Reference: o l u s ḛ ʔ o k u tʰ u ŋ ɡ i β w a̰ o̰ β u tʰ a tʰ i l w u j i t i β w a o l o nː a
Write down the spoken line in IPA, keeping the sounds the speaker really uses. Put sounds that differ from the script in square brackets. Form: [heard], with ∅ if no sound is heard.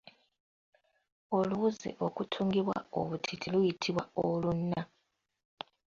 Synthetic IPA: o l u [z] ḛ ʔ o k u tʰ u ŋ ɡ i β w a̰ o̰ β u tʰ [i] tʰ i l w u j i [tʰ] i β w a o l [u] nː a

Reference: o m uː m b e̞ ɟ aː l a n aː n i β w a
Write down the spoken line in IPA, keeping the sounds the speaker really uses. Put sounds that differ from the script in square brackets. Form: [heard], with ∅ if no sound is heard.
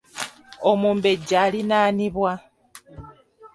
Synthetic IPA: o m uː m b e̞ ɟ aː l [i] n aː n i β w a

